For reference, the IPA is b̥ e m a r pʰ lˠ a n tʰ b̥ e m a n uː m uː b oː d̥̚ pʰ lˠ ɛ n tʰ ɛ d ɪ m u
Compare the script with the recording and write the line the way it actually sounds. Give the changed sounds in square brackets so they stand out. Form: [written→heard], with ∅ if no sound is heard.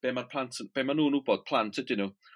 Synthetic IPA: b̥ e m a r pʰ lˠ a n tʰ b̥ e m a n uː [m→n] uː b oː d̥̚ pʰ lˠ [ɛ→a] n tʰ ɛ d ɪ [m→n] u